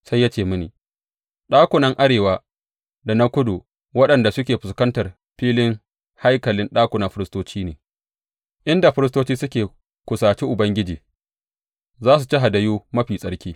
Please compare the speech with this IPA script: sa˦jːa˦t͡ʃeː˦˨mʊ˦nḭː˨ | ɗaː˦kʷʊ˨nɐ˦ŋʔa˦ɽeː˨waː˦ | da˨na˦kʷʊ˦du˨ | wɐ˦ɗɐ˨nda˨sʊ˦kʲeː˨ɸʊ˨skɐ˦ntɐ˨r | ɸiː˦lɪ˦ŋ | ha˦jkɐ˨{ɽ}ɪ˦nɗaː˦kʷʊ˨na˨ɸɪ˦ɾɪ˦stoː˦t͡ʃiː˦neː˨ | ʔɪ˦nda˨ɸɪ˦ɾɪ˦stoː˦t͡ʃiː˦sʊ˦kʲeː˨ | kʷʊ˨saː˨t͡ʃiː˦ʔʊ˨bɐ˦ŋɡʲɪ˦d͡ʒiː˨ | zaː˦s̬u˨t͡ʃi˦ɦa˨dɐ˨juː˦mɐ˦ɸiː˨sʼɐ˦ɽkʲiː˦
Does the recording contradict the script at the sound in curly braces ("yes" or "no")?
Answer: yes